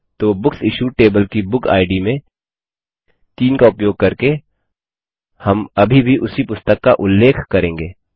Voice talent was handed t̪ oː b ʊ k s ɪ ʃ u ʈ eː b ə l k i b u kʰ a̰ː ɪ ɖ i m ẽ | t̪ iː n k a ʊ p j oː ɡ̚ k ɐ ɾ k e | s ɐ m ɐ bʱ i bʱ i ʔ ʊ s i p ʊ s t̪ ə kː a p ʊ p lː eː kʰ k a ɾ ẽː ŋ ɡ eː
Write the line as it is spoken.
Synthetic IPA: t̪ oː b ʊ k s ɪ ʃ u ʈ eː b ə l k i b ʊ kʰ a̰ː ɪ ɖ i m ẽ | t̪ iː n k a ʊ p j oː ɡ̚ k ɐ ɾ k e | h ɐ m ɐ bʱ i bʱ i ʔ ʊ s i p ʊ s t̪ ə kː a ʔ ʊ lː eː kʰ k ɐ ɾ ẽː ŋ ɡ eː

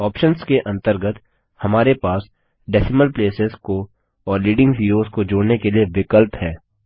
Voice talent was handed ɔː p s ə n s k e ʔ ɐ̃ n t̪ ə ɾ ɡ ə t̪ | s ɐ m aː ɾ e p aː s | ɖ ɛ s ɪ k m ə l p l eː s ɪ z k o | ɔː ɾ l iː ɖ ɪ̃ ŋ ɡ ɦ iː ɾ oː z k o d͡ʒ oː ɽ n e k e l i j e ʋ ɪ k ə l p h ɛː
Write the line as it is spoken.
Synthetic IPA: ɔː p ʃ ə n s k e ʔ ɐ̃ n t̪ ə ɾ ɡ ə t̪ | h ɐ m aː ɾ e p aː s | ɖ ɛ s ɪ m ə l p l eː s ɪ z k o | ɔː ɾ l iː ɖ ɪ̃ ŋ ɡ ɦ iː ɾ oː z k o d͡ʒ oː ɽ n e k e l i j e ʋ ɪ k ə l p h ɛː

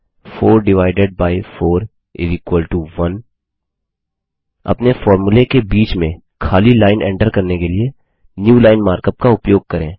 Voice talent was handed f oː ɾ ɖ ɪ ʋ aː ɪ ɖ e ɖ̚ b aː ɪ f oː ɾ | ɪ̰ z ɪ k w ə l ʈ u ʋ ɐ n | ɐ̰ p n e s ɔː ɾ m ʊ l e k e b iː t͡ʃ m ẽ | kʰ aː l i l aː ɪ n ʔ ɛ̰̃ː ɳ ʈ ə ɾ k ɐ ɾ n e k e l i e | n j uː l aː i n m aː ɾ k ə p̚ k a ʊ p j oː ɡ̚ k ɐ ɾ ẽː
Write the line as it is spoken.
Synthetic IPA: f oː ɾ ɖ ɪ ʋ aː ɪ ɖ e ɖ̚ b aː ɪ f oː ɾ | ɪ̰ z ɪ k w ə l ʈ u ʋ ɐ n | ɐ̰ p n e f ɔː ɾ m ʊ l e k e b iː t͡ʃ m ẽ | kʰ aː l i l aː ɪ n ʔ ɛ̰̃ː ɳ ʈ ə ɾ k ɐ ɾ n e k e l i e | n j uː l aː ɪ n m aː ɾ k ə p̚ k a ʊ p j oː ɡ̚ k ɐ ɾ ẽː

